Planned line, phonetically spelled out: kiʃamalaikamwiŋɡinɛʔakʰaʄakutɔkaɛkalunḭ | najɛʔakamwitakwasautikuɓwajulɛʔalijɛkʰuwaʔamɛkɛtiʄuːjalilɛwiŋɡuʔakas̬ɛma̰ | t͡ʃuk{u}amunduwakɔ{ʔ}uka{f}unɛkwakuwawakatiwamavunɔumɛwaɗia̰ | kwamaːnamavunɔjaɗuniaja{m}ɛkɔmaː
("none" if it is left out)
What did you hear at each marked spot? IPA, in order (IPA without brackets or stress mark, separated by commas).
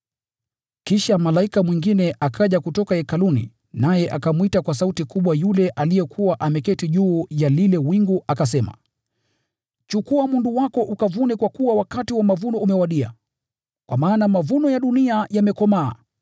u, ʔ, v, m